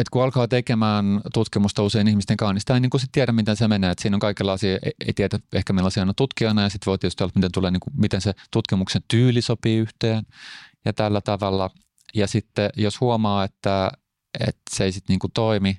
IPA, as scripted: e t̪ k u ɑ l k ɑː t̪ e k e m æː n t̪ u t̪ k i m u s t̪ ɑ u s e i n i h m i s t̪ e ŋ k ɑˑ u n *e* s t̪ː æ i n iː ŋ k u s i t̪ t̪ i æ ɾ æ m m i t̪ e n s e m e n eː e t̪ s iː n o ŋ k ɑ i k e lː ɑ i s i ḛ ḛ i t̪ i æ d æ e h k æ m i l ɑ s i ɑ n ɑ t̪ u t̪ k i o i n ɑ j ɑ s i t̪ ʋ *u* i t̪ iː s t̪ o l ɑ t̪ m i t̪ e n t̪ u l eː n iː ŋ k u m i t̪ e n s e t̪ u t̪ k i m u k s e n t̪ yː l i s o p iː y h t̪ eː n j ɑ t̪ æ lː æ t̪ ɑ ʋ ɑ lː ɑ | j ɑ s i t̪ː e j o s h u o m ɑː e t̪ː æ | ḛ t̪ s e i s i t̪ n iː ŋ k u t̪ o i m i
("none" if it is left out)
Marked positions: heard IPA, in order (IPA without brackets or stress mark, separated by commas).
i, o